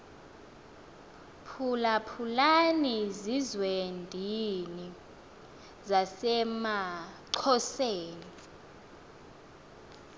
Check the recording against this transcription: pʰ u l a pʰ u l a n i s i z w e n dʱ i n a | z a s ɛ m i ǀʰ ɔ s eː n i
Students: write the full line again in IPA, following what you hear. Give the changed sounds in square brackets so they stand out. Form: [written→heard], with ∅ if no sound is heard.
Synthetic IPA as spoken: pʰ u l a pʰ u l a n i [s→z] i z w e n dʱ i n [a→i] | z a s ɛ m [i→a] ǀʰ ɔ s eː n i